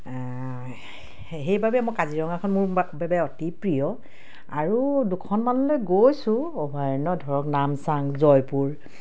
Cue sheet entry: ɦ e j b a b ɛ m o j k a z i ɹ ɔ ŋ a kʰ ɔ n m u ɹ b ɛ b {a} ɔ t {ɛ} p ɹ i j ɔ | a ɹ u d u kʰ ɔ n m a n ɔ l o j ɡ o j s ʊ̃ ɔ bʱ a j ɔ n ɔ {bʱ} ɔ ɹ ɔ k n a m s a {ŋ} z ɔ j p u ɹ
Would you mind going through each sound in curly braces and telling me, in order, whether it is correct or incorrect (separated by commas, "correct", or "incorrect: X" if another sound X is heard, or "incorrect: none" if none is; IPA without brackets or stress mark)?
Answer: incorrect: ɛ, incorrect: i, incorrect: dʱ, correct